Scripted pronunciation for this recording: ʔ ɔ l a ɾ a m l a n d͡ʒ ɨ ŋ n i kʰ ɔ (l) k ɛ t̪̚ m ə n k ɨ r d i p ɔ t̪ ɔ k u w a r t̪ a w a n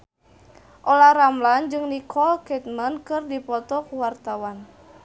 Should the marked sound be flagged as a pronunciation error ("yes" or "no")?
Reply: no